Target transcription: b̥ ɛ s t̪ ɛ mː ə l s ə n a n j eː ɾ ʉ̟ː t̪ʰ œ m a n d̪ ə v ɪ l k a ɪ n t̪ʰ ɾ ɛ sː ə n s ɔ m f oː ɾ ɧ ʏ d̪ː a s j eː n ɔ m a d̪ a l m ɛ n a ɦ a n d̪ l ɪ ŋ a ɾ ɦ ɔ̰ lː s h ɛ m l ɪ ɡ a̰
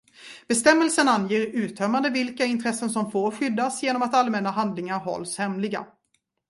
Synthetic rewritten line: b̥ ɛ s t̪ ɛ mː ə l s ə n a n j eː ɾ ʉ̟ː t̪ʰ œ m a n d̪ ə v ɪ l k a ɪ n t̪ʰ ɾ ɛ sː ə n s ɔ m f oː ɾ ɧ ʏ d̪ː a s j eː n ɔ m a t̪ a l m ɛ n a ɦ a n d̪ l ɪ ŋ a ɾ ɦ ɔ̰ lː s h ɛ m l ɪ ɡ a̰